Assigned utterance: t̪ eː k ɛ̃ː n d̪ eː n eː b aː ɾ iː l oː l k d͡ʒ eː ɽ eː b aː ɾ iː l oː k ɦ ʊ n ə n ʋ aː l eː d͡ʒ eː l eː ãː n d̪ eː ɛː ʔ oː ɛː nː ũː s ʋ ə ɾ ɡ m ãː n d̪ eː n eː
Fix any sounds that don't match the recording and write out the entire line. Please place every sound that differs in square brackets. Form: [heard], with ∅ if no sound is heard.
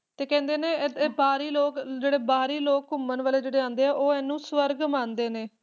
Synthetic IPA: t̪ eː k ɛ̃ː n d̪ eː n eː b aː ɾ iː l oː [∅] k d͡ʒ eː ɽ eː b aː ɾ iː l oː k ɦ ʊ [m] ə n ʋ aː l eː d͡ʒ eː [ɽ] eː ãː n d̪ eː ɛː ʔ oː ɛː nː ũː s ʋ ə ɾ ɡ m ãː n d̪ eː n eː